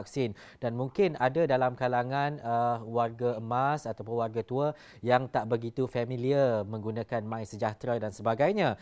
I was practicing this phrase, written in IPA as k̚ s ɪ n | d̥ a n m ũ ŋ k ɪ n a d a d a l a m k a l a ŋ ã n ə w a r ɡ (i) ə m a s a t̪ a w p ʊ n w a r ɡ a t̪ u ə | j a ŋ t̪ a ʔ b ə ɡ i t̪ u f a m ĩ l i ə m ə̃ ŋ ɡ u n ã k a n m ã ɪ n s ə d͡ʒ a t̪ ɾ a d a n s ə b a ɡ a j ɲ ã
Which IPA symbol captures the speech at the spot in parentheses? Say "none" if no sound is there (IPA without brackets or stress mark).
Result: a